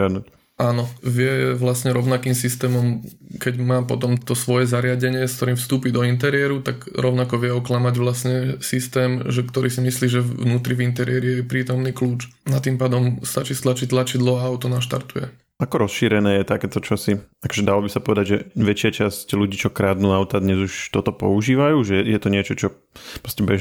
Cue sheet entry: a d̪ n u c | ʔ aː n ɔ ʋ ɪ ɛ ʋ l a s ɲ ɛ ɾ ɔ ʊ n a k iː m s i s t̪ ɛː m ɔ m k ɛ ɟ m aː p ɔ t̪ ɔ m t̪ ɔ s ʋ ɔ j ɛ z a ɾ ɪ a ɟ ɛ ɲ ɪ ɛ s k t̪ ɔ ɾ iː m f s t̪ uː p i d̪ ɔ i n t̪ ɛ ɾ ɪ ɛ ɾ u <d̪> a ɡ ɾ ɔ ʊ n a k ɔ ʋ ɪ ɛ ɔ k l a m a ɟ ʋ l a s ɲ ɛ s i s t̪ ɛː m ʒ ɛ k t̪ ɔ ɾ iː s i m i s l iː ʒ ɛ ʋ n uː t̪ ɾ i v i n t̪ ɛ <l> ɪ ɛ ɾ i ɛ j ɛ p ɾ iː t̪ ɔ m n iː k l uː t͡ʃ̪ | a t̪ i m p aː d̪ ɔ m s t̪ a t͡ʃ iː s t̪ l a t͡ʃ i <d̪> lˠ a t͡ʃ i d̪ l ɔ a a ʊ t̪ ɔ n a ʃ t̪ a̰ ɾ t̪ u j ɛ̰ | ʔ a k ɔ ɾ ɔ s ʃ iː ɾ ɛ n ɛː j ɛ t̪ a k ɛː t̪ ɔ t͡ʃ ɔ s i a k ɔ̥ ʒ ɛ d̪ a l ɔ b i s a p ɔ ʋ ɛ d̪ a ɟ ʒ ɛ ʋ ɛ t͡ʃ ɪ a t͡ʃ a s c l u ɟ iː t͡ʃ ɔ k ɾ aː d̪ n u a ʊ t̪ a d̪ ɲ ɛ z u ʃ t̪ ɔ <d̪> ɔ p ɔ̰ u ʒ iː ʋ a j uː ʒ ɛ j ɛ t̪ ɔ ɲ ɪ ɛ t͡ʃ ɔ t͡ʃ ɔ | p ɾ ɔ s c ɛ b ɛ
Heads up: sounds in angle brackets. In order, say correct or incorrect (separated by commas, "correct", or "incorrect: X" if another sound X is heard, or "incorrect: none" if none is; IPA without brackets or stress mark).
incorrect: t̪, incorrect: ɾ, incorrect: t̪, incorrect: t̪